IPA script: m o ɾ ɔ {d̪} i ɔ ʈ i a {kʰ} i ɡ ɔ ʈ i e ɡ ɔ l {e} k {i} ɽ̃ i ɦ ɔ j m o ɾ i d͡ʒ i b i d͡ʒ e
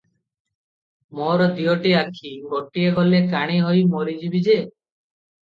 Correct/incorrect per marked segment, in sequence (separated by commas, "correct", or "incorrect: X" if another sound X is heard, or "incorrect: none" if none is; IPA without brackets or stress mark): correct, correct, correct, incorrect: a